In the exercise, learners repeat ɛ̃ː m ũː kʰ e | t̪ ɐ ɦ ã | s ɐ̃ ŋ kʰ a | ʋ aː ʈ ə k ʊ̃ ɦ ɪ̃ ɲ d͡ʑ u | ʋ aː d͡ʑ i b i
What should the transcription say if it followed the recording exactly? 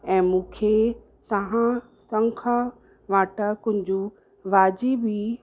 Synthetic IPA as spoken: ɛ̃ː m ũː kʰ e | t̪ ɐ ɦ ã | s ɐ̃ ŋ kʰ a | ʋ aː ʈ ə k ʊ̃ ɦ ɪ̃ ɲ d͡ʑ u | ʋ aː d͡ʑ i b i